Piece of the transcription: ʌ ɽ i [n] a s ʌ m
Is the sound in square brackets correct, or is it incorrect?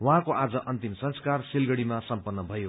incorrect